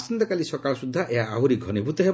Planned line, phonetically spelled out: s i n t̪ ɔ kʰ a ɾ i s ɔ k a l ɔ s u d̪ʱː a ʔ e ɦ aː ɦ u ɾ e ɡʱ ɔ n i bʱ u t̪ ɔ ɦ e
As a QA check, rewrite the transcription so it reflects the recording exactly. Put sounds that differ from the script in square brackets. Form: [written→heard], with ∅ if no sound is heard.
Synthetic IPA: s i n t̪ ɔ [kʰ→k] a [ɾ→l] i s ɔ k a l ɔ s u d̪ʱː a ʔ e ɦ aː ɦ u ɾ [e→i] ɡʱ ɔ n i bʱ u t̪ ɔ ɦ e